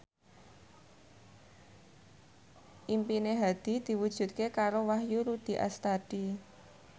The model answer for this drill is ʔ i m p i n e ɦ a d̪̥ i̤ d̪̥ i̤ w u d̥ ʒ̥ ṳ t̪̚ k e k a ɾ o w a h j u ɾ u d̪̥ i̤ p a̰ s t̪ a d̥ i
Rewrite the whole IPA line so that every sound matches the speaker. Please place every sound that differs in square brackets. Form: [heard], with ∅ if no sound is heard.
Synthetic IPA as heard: ʔ i m p i n e ɦ a d̪̥ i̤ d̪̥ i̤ w u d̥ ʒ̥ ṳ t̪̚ k e k a ɾ o w a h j u ɾ u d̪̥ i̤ [ʔ] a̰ s t̪ a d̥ i